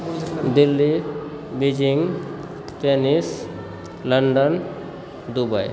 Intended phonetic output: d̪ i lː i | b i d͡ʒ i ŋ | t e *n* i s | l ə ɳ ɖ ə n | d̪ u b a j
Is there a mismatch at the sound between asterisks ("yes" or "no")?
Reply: no